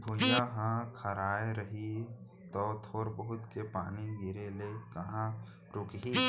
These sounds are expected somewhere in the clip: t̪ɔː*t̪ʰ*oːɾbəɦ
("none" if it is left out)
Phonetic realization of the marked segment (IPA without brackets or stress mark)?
t̪ʰ